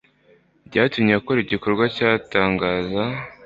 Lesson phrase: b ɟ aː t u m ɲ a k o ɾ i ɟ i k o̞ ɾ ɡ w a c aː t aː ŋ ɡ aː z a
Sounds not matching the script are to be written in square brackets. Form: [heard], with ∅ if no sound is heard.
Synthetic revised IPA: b ɟ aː t u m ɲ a k o ɾ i ɟ i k o̞ ɾ ɡ w a c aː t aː ŋ ɡ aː z a